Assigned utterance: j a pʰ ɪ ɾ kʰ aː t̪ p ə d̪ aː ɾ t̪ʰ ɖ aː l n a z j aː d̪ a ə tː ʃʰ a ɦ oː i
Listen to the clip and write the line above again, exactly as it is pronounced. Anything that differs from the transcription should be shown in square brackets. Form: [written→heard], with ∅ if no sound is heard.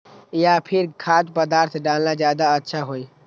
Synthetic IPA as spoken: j a pʰ ɪ ɾ kʰ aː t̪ p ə d̪ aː ɾ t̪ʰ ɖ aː l n a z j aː d̪ a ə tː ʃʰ a ɦ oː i